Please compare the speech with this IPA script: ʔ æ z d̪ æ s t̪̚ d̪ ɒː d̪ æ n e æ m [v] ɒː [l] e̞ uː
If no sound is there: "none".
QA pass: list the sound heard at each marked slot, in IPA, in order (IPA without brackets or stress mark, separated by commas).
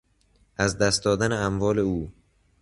v, l